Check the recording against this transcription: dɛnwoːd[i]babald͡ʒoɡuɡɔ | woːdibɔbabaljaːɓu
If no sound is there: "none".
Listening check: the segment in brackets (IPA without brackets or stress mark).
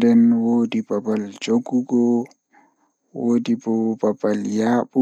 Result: i